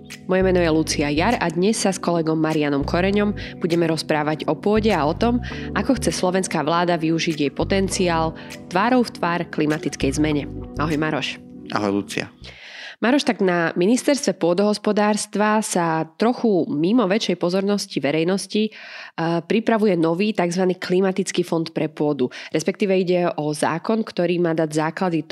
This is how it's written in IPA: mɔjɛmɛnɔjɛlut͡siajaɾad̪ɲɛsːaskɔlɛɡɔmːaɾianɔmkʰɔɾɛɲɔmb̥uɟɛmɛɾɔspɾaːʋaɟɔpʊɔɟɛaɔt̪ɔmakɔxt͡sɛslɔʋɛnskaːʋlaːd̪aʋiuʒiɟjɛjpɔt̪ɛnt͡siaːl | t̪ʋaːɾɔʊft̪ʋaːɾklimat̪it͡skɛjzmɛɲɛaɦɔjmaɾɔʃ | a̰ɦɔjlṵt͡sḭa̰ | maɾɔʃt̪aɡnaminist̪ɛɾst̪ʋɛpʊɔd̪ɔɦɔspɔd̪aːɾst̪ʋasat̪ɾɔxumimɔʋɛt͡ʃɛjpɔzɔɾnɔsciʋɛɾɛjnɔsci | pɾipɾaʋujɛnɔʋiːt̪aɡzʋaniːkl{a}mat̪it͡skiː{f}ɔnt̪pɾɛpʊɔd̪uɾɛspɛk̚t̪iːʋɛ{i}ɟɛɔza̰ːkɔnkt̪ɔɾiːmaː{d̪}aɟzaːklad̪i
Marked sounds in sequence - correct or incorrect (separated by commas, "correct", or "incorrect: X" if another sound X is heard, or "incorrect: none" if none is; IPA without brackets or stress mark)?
incorrect: i, correct, correct, correct